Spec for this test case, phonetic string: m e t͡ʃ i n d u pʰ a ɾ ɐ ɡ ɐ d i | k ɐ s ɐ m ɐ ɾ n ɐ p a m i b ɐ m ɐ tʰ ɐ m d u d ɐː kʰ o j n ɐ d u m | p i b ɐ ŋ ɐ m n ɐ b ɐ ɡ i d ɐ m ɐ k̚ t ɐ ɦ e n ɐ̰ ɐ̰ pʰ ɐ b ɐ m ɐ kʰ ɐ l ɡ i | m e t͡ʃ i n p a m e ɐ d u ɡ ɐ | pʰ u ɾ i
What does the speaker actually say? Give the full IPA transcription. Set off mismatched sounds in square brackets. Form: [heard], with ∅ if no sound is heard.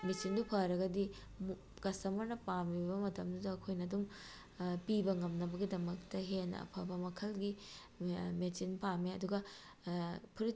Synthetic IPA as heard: m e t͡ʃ i n d u pʰ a ɾ ɐ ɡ ɐ d i | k ɐ s ɐ m ɐ ɾ n ɐ p a m i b ɐ m ɐ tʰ ɐ m d u d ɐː kʰ o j n ɐ d u m | p i b ɐ ŋ ɐ m n ɐ b ɐ ɡ i d ɐ m ɐ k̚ t ɐ ɦ e n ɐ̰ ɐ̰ pʰ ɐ b ɐ m ɐ kʰ ɐ l ɡ i | m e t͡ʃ i n p a m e ɐ d u ɡ ɐ | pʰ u ɾ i